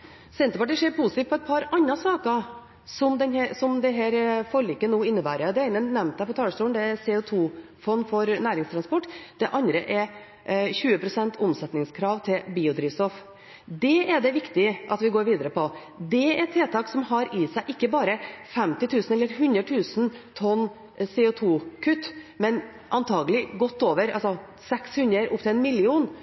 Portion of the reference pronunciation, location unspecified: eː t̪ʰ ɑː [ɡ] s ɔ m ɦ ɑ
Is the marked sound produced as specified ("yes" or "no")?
no